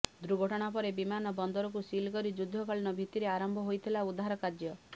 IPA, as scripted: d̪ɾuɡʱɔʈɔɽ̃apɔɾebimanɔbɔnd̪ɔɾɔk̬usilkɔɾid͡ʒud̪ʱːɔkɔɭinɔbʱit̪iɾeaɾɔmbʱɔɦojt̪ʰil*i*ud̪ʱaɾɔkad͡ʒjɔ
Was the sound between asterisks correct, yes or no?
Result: no